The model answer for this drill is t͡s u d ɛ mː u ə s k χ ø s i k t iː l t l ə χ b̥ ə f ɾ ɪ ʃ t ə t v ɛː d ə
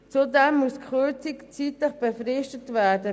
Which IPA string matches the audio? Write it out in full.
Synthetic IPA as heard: t͡s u d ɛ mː u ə s k χ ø t͡s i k t͡s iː t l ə χ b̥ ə f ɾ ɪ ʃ t ə t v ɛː d ə